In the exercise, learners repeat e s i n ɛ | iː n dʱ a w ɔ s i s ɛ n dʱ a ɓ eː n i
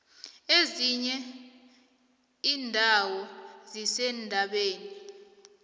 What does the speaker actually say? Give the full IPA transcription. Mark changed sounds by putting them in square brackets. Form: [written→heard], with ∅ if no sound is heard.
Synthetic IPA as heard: e [s→z] i [n→ɲ] ɛ | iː n dʱ a w ɔ [s→z] i s ɛ n dʱ a ɓ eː n i